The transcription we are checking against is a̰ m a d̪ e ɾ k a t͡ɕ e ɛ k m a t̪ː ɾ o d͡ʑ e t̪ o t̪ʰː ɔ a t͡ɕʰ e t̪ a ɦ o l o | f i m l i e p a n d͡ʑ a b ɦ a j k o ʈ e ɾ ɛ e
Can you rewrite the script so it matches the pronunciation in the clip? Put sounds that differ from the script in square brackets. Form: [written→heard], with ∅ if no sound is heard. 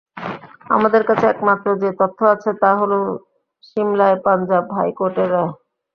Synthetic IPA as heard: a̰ m a d̪ e ɾ k a [t͡ɕ→t͡ɕʰ] e ɛ k m a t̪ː ɾ o d͡ʑ e t̪ o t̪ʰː [ɔ→o] a t͡ɕʰ e t̪ a ɦ o l o | [f→ʃ] i m l [i→a] e p a n d͡ʑ a b ɦ a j k o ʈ e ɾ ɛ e